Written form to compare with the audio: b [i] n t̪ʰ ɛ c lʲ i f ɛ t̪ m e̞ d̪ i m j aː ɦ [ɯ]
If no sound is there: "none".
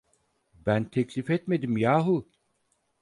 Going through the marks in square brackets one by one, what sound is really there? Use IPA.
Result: æ, u

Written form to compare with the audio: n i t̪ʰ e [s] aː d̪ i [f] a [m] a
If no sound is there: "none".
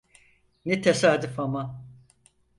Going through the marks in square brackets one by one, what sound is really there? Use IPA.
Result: s, f, m

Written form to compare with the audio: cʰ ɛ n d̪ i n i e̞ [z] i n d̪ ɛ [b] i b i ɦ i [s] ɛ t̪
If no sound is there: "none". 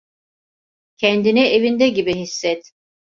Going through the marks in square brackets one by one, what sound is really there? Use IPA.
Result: v, ɟ, sː

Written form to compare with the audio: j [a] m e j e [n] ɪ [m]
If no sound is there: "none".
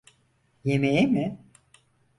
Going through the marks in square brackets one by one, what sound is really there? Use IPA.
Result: e, m, none

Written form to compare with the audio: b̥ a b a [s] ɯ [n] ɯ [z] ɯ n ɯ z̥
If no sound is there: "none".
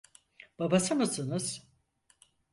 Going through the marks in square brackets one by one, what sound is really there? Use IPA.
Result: s, m, s

